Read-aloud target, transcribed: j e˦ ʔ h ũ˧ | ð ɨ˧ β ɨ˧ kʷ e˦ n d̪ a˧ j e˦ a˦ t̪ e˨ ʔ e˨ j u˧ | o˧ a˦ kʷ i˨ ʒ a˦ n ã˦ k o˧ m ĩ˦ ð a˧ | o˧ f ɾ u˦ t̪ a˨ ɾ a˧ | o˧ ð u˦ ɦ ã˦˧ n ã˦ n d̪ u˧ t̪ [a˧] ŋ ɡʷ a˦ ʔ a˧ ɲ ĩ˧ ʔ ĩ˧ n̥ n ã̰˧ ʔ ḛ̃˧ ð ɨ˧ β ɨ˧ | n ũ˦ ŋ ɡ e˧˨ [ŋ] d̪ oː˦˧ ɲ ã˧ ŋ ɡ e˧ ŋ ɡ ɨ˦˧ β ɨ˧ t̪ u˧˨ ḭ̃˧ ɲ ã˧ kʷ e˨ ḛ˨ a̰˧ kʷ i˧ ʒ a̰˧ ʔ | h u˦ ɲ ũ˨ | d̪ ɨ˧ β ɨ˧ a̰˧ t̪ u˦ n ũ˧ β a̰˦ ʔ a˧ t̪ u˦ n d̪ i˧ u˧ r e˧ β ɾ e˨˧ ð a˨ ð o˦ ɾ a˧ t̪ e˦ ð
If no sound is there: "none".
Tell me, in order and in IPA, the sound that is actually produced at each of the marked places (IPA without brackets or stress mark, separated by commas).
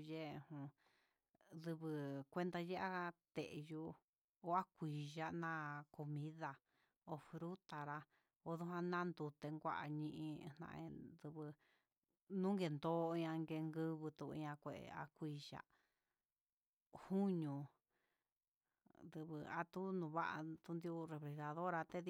e˧, n